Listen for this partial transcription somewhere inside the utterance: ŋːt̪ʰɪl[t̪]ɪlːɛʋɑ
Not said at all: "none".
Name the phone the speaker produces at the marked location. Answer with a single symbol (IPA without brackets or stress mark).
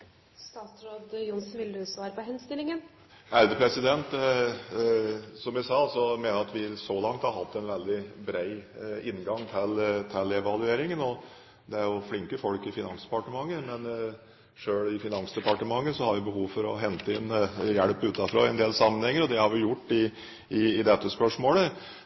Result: t̪ʰ